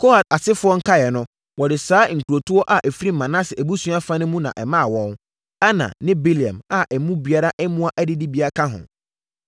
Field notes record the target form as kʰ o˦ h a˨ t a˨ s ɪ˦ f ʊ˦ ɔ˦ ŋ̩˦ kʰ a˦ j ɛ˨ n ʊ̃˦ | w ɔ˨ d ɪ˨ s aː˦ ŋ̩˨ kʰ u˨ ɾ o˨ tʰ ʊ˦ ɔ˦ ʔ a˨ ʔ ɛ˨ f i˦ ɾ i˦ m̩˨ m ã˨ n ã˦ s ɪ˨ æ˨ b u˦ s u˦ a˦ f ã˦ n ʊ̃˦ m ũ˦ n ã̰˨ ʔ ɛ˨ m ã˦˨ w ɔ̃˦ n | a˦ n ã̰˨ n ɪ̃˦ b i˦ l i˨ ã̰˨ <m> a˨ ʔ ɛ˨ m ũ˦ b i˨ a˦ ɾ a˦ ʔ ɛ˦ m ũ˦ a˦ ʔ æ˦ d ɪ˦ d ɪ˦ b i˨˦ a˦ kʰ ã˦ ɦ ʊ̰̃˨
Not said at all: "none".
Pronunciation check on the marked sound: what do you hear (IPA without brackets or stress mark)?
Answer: m